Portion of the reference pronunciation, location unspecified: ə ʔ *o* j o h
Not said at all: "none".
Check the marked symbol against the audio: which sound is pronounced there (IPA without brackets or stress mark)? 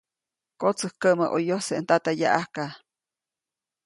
o